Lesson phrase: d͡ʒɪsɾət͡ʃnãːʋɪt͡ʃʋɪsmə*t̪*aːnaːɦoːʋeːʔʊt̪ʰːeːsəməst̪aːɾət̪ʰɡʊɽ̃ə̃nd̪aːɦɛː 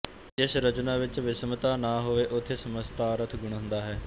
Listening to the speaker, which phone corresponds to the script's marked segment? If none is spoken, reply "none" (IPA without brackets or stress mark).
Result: t̪